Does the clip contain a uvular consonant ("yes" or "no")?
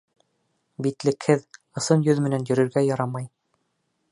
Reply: no